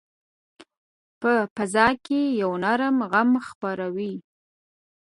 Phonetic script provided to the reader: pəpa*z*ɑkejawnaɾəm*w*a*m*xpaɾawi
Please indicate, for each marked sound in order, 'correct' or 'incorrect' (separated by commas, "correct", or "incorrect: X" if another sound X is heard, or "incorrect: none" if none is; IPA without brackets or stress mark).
correct, incorrect: ɣ, correct